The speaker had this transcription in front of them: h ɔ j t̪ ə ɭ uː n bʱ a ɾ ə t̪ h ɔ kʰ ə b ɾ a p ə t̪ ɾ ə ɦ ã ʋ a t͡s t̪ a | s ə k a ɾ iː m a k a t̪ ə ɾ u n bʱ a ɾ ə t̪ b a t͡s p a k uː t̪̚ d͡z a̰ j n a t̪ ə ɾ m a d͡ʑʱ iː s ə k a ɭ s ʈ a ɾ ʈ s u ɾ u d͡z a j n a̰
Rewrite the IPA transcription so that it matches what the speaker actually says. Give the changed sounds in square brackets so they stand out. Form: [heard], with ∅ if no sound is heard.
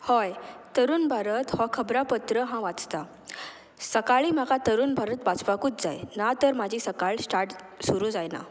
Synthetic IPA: h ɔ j t̪ ə [ɾ] uː n bʱ a ɾ ə t̪ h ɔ kʰ ə b ɾ a p ə t̪ ɾ ə ɦ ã ʋ a t͡s t̪ a | s ə k a [ɭ] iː m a k a t̪ ə ɾ [uː] n bʱ a ɾ ə t̪ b a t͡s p a k uː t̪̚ d͡z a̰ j n a t̪ ə ɾ m a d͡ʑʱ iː s ə k a ɭ s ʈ a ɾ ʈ s u ɾ u d͡z a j n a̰